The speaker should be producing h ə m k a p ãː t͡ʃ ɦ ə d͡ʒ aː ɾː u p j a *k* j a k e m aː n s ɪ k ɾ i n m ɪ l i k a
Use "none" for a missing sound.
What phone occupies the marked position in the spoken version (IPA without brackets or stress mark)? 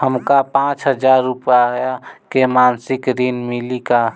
none